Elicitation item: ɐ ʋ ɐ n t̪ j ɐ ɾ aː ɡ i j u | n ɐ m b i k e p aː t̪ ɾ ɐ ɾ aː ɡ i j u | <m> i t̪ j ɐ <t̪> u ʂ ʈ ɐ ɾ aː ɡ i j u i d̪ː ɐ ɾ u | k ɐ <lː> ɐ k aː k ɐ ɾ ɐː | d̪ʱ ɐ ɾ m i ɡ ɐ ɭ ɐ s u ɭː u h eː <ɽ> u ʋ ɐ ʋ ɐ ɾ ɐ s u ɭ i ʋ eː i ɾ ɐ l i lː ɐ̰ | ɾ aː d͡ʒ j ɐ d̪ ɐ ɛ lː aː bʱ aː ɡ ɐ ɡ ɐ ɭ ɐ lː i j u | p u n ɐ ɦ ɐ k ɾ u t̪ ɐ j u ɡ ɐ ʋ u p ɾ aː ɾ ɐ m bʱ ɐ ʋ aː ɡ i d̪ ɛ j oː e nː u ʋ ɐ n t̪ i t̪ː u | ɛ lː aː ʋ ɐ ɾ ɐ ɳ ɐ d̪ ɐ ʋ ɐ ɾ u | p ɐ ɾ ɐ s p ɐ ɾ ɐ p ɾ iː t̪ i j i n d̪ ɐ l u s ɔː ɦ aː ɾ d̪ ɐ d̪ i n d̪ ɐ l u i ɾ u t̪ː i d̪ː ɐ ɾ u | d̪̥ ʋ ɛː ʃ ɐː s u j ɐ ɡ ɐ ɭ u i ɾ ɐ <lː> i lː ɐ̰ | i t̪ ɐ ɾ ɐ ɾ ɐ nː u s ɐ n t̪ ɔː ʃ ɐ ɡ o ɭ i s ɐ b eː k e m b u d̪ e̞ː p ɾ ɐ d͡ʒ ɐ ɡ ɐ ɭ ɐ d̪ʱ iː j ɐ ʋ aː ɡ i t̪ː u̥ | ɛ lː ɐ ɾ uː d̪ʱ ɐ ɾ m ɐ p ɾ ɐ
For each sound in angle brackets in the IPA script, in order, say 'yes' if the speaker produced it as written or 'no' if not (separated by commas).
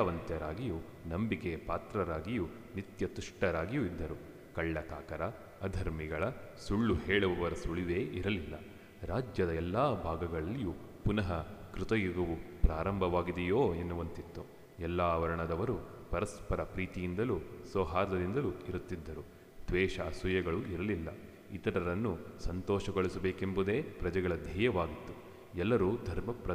no, yes, no, no, no